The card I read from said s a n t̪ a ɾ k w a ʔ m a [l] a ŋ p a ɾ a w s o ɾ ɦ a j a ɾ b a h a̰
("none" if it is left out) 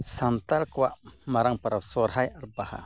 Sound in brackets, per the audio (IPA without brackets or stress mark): ɾ